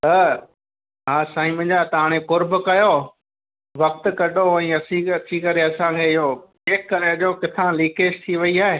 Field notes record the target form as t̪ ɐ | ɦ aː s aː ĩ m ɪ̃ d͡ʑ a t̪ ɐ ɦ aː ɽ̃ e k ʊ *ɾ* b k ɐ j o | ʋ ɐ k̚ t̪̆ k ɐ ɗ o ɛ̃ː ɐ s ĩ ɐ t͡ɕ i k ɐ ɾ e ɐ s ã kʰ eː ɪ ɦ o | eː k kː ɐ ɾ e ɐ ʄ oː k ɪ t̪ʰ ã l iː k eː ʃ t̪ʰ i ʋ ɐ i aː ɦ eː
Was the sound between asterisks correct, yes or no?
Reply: yes